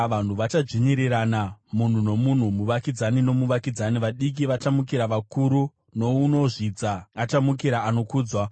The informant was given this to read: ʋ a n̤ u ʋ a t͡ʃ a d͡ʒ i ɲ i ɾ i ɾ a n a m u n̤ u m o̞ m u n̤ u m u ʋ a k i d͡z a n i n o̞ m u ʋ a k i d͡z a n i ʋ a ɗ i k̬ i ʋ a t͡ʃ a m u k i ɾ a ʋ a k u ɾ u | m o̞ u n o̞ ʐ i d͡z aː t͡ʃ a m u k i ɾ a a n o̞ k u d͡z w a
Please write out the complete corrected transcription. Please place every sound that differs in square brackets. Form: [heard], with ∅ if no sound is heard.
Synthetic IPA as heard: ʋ a n̤ u ʋ a t͡ʃ a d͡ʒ i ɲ i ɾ i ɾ a n a m u n̤ u [n] o̞ m u n̤ u m u ʋ a k i d͡z a n i n o̞ m u ʋ a k i d͡z a n i ʋ a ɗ i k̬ i ʋ a t͡ʃ a m u k i ɾ a ʋ a k u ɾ u | [n] o̞ u n o̞ ʐ i d͡z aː t͡ʃ a m u k i ɾ a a n o̞ k [uː] d͡z w a